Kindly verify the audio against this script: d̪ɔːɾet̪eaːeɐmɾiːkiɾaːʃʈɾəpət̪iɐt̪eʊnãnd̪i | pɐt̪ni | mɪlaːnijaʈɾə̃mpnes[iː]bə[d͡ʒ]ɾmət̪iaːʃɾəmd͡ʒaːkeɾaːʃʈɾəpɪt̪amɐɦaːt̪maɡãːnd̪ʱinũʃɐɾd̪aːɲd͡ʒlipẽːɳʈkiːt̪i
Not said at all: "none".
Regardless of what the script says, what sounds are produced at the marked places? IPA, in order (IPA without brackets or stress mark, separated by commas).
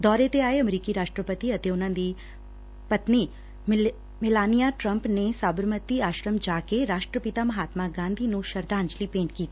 aː, none